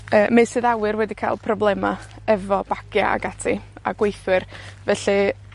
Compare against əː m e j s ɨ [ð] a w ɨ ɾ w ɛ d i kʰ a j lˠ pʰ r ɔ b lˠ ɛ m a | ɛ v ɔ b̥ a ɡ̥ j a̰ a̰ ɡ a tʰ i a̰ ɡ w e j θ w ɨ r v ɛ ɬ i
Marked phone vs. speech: correct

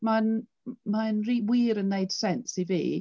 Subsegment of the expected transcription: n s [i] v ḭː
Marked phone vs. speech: correct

